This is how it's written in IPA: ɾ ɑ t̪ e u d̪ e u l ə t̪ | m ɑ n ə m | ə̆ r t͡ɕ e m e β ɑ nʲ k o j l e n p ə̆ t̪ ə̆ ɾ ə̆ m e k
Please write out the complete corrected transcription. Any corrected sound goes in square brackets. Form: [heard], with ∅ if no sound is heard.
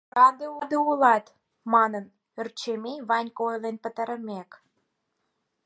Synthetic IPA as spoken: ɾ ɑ [d̪] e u d̪ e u l [ɑ] t̪ | m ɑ n ə [n] | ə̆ r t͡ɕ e m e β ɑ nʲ k o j l e n p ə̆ t̪ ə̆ ɾ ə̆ m e k